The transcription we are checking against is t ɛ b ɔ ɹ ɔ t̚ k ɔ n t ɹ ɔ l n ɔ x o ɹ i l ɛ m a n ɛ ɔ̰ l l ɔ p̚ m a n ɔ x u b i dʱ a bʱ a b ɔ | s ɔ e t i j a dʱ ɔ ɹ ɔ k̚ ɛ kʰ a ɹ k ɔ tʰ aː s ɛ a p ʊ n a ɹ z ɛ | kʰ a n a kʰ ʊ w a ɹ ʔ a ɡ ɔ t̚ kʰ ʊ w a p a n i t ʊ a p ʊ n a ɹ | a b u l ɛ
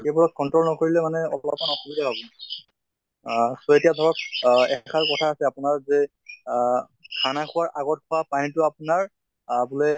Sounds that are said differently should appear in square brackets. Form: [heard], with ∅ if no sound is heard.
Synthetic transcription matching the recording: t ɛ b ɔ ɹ ɔ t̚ k ɔ n t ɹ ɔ l n ɔ [k] o ɹ i l ɛ m a n ɛ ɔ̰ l l ɔ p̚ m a n ɔ x u b i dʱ a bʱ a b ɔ | s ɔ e t i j a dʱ ɔ ɹ ɔ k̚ ɛ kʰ a ɹ k ɔ tʰ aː s ɛ a p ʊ n a ɹ z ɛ | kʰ a n a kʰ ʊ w a ɹ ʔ a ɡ ɔ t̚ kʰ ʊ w a p a n i t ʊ a p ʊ n a ɹ | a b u l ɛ